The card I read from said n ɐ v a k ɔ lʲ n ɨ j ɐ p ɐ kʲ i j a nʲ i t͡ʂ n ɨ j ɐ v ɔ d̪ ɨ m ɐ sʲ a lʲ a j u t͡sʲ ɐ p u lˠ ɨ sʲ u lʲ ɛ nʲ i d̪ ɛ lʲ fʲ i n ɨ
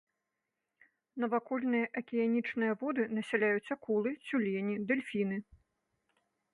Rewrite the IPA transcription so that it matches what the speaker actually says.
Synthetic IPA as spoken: n ɐ v a k ɔ lʲ n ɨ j ɐ ʔ ɐ kʲ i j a nʲ i t͡ʂ n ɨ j ɐ v ɔ d̪ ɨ n ɐ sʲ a lʲ a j u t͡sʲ ɐ k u lˠ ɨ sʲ u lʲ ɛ nʲ i d̪ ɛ lʲ fʲ i n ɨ